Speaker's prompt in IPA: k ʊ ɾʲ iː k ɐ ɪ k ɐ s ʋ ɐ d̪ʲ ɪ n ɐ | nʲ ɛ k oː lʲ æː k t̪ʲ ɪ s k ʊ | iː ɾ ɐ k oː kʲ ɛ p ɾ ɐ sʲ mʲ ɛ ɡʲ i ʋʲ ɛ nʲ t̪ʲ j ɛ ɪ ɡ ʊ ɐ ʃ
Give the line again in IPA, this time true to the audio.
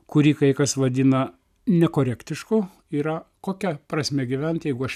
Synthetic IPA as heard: k ʊ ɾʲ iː k ɐ ɪ k ɐ s ʋ ɐ d̪ʲ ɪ n ɐ | nʲ ɛ k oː ɾʲ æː k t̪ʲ ɪ ʃ k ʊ | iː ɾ ɐ k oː kʲ ɛ p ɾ ɐ sʲ mʲ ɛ ɡʲ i ʋʲ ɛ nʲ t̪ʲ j ɛ ɪ ɡ ʊ ɐ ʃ